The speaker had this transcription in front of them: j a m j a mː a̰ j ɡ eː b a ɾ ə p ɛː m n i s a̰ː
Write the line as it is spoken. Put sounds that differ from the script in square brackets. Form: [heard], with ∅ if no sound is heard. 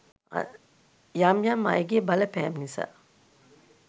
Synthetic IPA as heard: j a m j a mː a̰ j ɡ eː b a [l] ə p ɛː m n i s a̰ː